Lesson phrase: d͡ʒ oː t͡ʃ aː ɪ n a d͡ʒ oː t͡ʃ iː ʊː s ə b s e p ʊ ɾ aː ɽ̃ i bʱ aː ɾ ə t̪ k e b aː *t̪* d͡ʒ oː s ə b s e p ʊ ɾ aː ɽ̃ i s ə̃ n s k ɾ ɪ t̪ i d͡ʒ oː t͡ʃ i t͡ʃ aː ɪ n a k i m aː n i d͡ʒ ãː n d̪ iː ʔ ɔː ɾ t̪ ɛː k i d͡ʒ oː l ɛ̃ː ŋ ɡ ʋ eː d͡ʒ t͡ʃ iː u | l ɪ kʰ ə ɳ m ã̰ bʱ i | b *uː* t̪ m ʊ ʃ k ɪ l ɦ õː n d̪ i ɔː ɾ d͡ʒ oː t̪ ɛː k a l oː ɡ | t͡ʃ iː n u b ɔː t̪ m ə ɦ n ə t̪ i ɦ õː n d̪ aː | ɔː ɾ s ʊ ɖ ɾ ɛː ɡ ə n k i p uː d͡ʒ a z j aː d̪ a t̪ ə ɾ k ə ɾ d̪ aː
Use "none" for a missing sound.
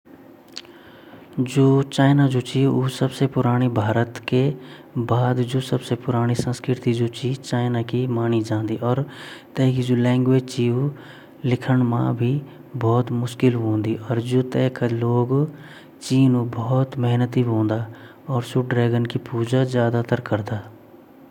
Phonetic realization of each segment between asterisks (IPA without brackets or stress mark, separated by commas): d̪, ɔː